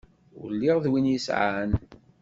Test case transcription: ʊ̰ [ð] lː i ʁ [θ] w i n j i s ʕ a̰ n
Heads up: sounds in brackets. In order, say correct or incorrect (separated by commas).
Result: incorrect, incorrect